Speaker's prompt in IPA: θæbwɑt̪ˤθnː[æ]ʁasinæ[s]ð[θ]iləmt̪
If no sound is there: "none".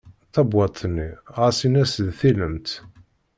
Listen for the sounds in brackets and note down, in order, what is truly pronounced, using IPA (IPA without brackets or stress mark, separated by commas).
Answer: i, s, θ